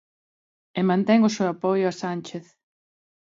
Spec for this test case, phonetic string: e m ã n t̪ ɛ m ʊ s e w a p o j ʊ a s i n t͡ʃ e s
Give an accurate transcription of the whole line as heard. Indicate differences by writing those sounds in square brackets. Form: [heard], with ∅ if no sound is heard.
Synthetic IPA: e m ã n t̪ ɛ [ŋ] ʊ s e w a p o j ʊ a s [a] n t͡ʃ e [θ]

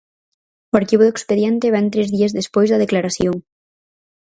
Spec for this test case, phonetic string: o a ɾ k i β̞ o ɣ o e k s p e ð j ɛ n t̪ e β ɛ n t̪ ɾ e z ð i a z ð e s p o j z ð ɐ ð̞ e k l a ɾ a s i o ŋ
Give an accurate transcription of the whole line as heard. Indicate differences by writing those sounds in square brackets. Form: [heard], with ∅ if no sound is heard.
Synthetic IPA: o a ɾ k i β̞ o [ð] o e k s p e ð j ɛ n t̪ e β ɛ n t̪ ɾ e z ð i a z ð e s p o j z ð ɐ ð̞ e k l a ɾ a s [j] o ŋ

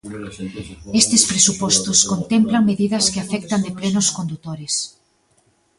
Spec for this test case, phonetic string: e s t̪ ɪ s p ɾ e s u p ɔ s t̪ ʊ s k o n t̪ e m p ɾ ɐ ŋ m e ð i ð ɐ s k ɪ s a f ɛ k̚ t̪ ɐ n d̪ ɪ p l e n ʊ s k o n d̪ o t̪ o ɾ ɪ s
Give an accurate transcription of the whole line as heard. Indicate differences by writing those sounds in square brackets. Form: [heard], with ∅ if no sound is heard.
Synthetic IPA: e s t̪ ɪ s p ɾ e s u p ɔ s t̪ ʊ s k o n t̪ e m p [l] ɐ ŋ m e ð i ð ɐ s k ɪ [∅] a f ɛ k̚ t̪ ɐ n d̪ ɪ p l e n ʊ s k o n d̪ [u] t̪ o ɾ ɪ s

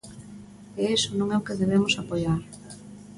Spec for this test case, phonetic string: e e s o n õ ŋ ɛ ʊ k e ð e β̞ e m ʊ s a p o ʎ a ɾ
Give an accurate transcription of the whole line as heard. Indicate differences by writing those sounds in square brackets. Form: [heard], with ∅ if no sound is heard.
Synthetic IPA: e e s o n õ ŋ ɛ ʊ k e ð e β̞ e m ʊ s a p o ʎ a ɾ

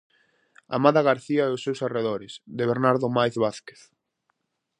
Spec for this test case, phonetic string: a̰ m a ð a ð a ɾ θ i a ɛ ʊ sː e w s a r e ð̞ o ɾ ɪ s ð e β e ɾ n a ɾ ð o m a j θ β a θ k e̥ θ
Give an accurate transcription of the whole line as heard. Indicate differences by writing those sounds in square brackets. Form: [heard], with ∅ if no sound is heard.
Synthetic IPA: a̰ m a ð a [ɣ] a ɾ θ i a ɛ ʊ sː e w s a r e ð̞ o ɾ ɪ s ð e β e ɾ n a ɾ ð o m a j θ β a θ k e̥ θ

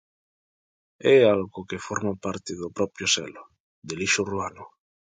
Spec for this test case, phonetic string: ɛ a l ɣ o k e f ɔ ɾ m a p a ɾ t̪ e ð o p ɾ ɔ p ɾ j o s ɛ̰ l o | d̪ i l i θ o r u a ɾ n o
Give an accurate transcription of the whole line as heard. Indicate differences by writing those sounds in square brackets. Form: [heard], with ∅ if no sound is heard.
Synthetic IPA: ɛ a l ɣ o k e f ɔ ɾ m a p a ɾ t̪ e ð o p ɾ ɔ p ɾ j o s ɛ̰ l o | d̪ [e] l i [ʃ] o r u a [∅] n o

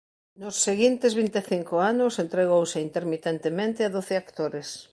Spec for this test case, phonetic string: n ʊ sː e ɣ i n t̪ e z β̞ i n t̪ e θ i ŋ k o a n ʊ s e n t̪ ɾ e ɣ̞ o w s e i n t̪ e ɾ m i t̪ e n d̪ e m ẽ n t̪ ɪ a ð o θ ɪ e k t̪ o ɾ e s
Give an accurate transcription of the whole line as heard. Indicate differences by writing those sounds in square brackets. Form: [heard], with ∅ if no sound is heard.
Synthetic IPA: n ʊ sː e ɣ i n t̪ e z β̞ i n t̪ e θ i ŋ k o a n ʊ s e n t̪ ɾ e ɣ̞ o w s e i n t̪ e ɾ m i t̪ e n [t̪] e m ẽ n t̪ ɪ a ð o θ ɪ [a] k t̪ o ɾ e s

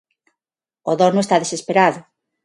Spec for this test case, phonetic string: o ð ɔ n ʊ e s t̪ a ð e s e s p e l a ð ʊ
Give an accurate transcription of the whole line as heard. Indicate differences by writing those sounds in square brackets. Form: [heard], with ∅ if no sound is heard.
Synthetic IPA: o ð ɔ n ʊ e s t̪ a ð e s e s p e [ɾ] a ð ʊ

